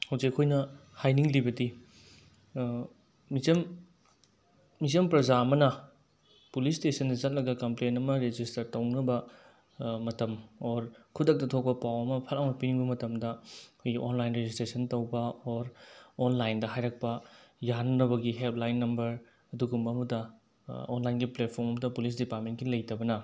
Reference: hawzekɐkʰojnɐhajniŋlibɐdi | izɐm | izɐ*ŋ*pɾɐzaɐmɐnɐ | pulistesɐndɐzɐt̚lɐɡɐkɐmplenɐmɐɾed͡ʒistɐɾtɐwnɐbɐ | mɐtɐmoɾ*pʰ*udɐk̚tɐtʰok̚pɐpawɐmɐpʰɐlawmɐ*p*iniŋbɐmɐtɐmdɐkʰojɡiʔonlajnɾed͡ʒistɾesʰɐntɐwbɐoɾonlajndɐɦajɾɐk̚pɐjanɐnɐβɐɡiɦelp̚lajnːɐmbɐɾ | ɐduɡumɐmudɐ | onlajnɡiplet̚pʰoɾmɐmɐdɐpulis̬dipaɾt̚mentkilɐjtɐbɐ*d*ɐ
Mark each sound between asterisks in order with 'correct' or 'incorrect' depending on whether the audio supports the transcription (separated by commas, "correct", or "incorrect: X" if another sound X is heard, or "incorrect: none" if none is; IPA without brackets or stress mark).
incorrect: m, incorrect: kʰ, correct, incorrect: n